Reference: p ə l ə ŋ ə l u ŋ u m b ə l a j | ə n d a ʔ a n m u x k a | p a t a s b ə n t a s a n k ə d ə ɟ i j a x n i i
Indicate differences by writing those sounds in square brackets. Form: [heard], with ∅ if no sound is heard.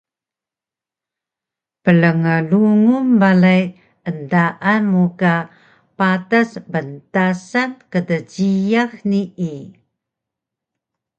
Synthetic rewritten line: p ə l ə ŋ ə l u ŋ u m b [a] l a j | ə n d a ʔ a n m u [∅] k a | p a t a s b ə n t a s a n k ə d ə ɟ i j a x n i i